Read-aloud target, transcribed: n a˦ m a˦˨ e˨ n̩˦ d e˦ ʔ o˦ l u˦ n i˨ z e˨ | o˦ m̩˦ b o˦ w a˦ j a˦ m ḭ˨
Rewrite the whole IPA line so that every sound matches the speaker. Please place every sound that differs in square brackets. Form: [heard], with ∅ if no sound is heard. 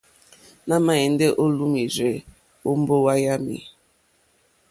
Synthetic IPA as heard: n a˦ m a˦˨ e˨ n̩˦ d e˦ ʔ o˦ l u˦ [m] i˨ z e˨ | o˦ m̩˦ b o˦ w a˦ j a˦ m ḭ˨